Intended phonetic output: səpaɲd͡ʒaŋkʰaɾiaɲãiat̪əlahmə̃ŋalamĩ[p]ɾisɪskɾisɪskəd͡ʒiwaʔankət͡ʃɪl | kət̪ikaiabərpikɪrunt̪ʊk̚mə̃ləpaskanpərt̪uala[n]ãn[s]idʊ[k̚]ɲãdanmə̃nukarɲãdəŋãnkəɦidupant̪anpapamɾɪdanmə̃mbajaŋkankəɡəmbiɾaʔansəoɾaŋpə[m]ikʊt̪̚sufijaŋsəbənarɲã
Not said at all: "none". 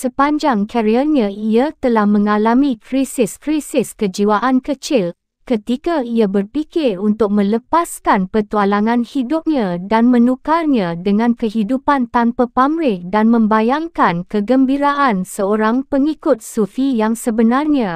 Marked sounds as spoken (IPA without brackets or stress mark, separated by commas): k, ŋ, h, p̚, ŋ